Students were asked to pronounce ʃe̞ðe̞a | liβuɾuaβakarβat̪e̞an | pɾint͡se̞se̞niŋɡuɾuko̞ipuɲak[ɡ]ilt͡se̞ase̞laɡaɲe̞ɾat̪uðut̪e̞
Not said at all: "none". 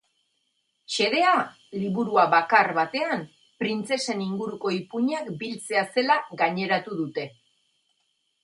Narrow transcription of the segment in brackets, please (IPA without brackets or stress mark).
b